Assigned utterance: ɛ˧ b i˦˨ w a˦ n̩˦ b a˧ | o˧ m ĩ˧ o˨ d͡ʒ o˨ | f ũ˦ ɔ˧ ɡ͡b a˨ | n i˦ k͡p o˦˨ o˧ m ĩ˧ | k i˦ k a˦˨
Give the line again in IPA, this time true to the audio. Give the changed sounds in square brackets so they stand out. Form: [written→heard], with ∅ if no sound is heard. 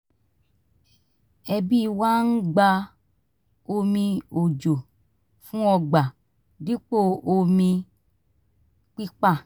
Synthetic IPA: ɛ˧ b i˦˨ w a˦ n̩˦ [b→ɡ͡b] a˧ | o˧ m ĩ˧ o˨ d͡ʒ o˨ | f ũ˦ ɔ˧ ɡ͡b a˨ | [n→d] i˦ k͡p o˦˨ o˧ m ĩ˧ | [k→k͡p] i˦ [k→k͡p] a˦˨

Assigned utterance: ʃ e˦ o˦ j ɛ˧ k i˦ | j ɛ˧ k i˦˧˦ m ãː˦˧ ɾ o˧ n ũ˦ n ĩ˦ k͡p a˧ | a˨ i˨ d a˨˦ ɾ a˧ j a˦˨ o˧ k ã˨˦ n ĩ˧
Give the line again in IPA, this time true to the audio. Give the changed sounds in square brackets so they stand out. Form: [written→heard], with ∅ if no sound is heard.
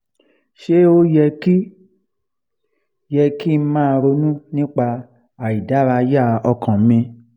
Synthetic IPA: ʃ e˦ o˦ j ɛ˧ k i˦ | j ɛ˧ k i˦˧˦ m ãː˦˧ ɾ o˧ n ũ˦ n ĩ˦ k͡p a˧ | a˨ i˨ d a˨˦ ɾ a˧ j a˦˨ [o˧→ɔ˧] k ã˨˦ [n→m] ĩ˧

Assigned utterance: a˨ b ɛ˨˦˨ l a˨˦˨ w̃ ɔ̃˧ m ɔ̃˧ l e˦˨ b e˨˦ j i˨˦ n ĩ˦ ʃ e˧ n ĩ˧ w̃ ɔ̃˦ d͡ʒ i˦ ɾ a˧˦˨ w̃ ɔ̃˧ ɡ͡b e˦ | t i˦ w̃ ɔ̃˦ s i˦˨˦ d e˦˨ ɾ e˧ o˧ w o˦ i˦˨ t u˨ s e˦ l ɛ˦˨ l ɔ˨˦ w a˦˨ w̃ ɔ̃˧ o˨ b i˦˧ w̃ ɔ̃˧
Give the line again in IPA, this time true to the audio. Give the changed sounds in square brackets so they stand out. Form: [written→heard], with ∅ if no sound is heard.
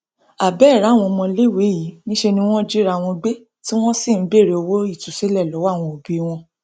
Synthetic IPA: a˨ b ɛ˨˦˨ [l→ɾ] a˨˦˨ w̃ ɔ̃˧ m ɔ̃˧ l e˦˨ [b→w] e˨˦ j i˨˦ n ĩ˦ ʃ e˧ n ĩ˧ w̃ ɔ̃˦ d͡ʒ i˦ ɾ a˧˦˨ w̃ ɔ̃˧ ɡ͡b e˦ | t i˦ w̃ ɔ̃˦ s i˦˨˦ [d→b] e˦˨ ɾ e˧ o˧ w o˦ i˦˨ t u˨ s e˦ l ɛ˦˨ l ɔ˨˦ w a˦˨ w̃ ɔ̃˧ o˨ b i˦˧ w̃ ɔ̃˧

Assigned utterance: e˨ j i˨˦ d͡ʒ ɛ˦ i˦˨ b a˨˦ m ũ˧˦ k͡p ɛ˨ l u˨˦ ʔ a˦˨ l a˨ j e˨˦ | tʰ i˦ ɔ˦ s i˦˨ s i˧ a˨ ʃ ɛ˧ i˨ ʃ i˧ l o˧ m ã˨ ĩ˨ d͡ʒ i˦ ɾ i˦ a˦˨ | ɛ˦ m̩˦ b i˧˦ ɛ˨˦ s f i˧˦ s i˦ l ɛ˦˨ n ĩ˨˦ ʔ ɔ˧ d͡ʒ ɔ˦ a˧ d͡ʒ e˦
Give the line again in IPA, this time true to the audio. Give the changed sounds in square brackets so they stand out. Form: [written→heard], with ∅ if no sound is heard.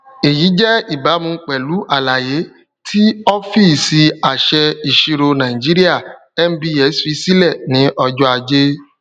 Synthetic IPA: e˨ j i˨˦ d͡ʒ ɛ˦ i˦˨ b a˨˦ m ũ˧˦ k͡p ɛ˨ l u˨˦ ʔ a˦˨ l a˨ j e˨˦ | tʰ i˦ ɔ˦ [s→f] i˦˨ s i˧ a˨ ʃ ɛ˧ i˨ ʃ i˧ [l→ɾ] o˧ [m→n] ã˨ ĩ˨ d͡ʒ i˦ ɾ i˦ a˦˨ | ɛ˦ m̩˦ b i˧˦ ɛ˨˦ s f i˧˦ s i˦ l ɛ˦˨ n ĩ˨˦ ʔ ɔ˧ d͡ʒ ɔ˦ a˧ d͡ʒ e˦

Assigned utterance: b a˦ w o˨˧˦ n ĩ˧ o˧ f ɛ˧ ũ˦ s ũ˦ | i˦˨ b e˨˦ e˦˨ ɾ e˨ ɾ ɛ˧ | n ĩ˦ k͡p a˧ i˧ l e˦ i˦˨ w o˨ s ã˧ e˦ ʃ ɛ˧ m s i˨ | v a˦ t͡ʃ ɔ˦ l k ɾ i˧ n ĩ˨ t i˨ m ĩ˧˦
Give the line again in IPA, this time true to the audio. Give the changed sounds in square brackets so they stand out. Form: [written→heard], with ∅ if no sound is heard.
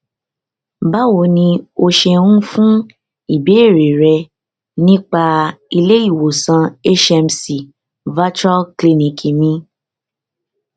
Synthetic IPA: b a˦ w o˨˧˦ n ĩ˧ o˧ [f→ʃ] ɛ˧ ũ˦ [s→f] ũ˦ | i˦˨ b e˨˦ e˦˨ ɾ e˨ ɾ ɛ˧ | n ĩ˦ k͡p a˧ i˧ l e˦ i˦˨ w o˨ s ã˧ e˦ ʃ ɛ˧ m s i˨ | v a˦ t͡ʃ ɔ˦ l k [ɾ→l] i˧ n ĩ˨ [t→k] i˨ m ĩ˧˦

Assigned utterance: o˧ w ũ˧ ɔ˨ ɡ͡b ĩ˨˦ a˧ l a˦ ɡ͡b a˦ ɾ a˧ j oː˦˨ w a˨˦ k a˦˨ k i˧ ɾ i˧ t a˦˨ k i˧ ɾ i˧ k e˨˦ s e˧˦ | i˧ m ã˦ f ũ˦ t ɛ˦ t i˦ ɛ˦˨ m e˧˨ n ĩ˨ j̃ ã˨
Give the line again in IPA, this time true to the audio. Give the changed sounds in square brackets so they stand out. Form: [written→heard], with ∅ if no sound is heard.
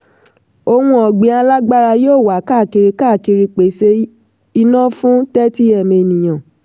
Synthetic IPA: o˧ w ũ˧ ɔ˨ ɡ͡b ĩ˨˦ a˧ l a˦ ɡ͡b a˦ ɾ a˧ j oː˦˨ w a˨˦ k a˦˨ k i˧ ɾ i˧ [t→k] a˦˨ k i˧ ɾ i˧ [k→k͡p] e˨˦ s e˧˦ | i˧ [m→n] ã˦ f ũ˦ t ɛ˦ t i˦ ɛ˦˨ m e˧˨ n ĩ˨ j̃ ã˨

